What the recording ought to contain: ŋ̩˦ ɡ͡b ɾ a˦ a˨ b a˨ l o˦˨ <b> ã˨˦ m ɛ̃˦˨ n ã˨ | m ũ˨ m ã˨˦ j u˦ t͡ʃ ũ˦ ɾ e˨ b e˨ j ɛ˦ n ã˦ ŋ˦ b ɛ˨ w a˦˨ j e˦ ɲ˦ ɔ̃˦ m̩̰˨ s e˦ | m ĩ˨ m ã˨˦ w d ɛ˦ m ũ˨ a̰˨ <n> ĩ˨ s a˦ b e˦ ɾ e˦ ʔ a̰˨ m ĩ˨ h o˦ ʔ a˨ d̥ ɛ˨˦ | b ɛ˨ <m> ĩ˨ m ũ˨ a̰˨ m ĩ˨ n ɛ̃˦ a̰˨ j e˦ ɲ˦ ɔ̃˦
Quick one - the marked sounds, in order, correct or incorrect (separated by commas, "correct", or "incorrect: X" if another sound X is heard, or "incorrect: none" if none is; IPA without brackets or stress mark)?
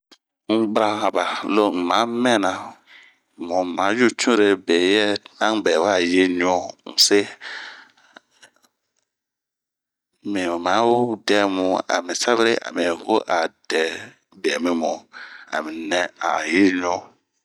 incorrect: m, incorrect: m, correct